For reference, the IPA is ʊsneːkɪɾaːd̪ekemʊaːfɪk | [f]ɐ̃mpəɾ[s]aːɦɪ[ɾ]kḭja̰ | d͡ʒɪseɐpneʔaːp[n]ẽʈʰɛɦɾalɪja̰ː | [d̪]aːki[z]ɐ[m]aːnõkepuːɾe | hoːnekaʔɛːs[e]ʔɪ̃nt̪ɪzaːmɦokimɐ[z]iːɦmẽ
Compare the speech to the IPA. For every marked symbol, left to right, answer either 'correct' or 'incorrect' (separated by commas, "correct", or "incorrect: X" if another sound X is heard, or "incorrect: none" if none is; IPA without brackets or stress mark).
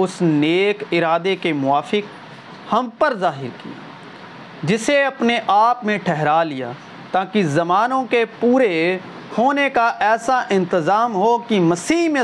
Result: incorrect: h, incorrect: z, correct, incorrect: m, incorrect: t̪, correct, correct, incorrect: a, incorrect: s